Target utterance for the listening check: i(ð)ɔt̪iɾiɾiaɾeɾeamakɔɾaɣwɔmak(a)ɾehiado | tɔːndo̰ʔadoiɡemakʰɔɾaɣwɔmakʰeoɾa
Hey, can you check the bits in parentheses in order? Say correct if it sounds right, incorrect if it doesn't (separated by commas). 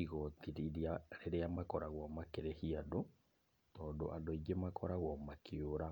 incorrect, incorrect